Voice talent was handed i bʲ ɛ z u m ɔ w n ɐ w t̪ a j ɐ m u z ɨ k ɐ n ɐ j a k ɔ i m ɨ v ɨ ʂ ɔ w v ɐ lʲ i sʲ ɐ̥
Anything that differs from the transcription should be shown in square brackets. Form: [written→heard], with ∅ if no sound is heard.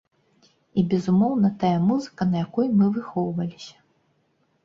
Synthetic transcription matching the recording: i bʲ ɛ z u m ɔ w n ɐ [w→∅] t̪ a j ɐ m u z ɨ k ɐ n ɐ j a k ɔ [i→j] m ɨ v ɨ [ʂ→x] ɔ w v ɐ lʲ i sʲ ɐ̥